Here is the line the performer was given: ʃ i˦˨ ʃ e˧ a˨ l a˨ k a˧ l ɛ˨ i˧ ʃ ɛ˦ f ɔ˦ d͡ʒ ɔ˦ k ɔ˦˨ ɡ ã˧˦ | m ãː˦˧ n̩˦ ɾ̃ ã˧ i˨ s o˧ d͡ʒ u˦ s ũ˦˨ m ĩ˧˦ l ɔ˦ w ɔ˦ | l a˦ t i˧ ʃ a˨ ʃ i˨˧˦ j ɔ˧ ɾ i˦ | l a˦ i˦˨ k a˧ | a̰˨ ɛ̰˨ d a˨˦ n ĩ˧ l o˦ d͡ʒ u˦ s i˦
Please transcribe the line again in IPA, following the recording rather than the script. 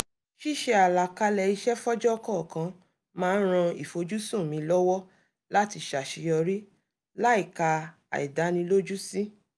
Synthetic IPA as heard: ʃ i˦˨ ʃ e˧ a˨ l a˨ k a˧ l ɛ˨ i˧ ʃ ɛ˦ f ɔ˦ d͡ʒ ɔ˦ k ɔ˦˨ k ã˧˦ | m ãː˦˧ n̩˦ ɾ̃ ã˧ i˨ f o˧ d͡ʒ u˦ s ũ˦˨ m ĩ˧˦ l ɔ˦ w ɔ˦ | l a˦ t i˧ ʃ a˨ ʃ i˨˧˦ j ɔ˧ ɾ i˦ | l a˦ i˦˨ k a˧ | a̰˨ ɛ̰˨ d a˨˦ n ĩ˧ l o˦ d͡ʒ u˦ s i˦